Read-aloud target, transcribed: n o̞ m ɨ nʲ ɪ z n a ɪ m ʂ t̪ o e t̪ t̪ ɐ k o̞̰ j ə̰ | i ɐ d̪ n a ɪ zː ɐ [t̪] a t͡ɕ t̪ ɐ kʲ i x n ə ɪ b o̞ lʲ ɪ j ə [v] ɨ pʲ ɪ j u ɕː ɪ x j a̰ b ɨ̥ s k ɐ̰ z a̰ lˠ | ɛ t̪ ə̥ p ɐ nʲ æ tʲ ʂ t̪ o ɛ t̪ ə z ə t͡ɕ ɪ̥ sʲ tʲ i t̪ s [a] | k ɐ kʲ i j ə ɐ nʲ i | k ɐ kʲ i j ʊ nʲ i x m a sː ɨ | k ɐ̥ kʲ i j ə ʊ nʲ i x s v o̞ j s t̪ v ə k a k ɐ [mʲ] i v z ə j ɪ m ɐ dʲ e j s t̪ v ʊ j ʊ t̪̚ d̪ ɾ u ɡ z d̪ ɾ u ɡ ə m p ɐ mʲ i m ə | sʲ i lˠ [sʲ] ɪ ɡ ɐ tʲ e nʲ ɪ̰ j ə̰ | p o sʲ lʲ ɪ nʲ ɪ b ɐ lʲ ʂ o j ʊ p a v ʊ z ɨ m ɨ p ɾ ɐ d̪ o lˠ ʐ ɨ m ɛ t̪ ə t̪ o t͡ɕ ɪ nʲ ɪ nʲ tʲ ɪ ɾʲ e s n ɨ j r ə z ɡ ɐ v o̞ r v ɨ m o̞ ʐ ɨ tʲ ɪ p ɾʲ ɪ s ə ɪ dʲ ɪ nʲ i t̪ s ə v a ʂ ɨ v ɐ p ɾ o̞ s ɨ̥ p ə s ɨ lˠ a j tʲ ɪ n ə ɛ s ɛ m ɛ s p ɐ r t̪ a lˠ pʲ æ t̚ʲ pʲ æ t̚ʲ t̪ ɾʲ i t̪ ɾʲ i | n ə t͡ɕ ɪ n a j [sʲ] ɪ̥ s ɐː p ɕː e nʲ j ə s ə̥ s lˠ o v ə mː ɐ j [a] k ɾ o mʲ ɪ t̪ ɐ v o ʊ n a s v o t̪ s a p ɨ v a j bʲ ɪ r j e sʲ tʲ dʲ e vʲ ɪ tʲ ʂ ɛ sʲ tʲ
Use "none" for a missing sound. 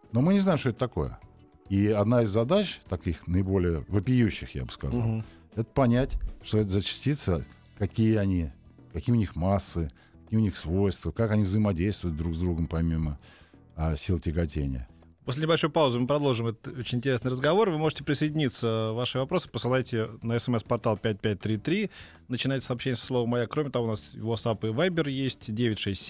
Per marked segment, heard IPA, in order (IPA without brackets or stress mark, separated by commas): d̪, v, ə, nʲ, tʲ, tʲ, a